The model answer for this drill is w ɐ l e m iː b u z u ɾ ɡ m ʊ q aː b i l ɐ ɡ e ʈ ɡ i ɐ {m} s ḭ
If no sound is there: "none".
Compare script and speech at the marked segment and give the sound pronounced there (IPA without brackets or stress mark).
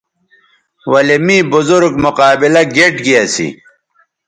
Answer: none